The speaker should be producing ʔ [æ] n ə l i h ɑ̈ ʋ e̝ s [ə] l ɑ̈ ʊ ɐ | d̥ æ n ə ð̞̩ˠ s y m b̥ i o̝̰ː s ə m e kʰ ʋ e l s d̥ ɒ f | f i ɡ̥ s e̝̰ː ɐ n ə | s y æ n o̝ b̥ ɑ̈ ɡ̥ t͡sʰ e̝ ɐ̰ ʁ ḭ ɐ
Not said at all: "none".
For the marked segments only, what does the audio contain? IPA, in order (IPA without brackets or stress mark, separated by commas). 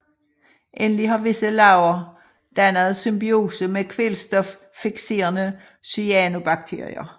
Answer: e, ə